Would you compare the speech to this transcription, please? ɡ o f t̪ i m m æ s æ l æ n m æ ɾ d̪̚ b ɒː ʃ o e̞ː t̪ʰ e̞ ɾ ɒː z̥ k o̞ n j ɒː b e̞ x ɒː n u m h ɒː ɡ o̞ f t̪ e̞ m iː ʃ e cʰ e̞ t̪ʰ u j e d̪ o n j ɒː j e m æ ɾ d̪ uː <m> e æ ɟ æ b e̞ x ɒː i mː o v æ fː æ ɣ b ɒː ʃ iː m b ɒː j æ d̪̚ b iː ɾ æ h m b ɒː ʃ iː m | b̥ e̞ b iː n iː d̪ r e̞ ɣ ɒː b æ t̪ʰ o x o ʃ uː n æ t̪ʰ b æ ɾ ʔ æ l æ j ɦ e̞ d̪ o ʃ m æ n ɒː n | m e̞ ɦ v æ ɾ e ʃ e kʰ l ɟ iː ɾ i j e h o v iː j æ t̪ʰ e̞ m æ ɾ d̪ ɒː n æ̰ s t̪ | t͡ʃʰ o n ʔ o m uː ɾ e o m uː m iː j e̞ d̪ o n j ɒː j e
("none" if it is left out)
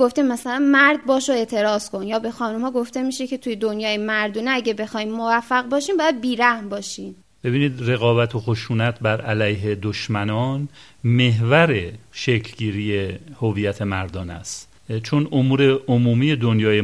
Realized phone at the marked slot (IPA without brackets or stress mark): n